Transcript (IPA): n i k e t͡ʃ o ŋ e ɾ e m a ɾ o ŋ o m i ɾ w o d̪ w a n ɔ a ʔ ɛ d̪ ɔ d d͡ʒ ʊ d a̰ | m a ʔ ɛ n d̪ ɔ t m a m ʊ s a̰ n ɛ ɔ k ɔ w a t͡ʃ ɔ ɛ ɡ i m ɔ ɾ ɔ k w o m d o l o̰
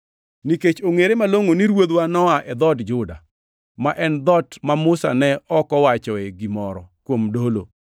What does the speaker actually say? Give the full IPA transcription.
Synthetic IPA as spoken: n i k e t͡ʃ o ŋ e ɾ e m a l o ŋ o n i ɾ w o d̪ w a n ɔ a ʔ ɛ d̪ ɔ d d͡ʒ ʊ d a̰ | m a ʔ ɛ n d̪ ɔ t m a m ʊ s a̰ n ɛ ɔ k ɔ w a t͡ʃ ɔ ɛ ɡ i m ɔ ɾ ɔ k w o m d o l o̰